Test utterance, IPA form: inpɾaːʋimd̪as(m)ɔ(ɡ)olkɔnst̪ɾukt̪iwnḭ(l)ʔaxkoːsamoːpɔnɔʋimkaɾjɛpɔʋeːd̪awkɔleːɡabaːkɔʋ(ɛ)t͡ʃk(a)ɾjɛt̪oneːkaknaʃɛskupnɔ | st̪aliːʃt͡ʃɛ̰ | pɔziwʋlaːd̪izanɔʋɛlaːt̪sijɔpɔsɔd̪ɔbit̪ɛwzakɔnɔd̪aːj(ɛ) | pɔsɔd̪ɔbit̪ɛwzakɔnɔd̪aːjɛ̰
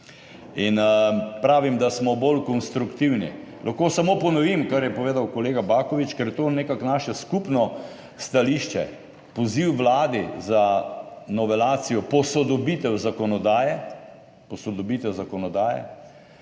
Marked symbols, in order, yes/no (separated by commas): yes, no, yes, no, no, yes